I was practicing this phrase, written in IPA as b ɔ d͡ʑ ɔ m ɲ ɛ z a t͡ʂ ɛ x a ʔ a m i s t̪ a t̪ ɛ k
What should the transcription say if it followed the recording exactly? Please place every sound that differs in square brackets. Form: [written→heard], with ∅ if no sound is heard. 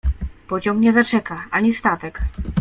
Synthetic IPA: [b→p] ɔ d͡ʑ ɔ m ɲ ɛ z a t͡ʂ ɛ [x→k] a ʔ a [m→ɲ] i s t̪ a t̪ ɛ k